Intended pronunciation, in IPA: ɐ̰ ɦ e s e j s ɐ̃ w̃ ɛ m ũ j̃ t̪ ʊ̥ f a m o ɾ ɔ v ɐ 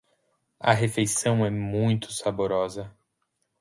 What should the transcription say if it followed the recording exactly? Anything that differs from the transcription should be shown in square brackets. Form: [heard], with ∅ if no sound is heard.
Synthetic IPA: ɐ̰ ɦ e [f] e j s ɐ̃ w̃ ɛ m ũ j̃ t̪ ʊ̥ [s] a [b] o ɾ ɔ [z] ɐ